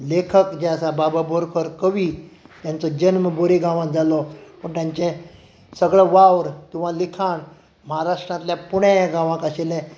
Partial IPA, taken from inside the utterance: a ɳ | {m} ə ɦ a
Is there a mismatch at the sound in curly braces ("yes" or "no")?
no